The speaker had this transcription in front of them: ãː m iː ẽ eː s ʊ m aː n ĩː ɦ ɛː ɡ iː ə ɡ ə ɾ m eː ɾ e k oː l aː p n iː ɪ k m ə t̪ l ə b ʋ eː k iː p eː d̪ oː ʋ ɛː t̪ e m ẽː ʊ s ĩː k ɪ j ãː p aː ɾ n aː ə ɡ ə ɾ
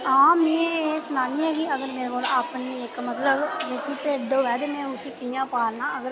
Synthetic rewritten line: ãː m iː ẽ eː s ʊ n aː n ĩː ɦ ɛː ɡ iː ə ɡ ə ɾ m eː ɾ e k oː l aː p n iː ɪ k m ə t̪ l ə b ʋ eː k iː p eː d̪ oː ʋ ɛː d̪ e m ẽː ʊ s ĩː k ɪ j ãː p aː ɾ n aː ə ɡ ə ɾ